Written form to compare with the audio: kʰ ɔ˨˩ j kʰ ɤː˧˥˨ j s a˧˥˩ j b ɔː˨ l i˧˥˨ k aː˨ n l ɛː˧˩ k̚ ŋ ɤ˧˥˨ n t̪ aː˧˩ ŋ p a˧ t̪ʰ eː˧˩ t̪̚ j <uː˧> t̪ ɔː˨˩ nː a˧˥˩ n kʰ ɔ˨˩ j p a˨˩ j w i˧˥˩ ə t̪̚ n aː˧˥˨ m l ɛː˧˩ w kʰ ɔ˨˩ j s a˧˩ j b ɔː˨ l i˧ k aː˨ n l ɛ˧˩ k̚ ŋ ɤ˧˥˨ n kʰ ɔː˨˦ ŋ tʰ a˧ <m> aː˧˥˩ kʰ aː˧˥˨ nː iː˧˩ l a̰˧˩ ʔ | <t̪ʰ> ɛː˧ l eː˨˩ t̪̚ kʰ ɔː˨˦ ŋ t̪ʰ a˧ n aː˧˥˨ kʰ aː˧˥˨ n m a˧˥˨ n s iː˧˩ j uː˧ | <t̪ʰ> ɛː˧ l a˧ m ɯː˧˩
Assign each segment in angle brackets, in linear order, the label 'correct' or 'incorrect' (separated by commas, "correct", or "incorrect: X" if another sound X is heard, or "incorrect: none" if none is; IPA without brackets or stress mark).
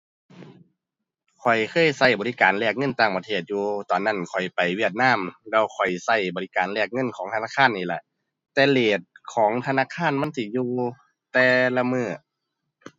correct, incorrect: n, incorrect: t̪, incorrect: t̪